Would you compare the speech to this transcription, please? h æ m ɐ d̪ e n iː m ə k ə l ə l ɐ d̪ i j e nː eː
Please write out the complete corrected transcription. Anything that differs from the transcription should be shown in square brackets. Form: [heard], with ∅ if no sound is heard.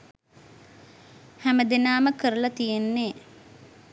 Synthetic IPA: h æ m [ə] d̪ e n [aː] m ə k ə [ɾ] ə l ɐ [t̪] i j e nː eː